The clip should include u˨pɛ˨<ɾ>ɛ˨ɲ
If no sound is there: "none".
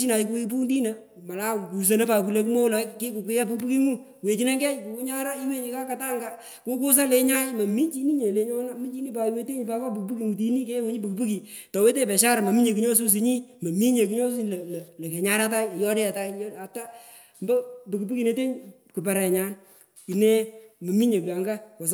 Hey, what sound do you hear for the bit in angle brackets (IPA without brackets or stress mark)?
ɾ